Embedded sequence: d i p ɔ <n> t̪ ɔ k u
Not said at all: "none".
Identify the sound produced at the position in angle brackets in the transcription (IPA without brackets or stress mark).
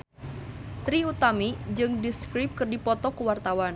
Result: none